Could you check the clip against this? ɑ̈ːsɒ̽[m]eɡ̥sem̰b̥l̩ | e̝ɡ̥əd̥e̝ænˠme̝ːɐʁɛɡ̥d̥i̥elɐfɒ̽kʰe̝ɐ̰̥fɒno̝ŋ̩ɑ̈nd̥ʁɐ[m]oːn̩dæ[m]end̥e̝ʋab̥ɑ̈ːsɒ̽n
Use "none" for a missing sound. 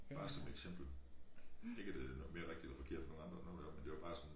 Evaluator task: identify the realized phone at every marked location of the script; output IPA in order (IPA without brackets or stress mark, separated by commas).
m, n, m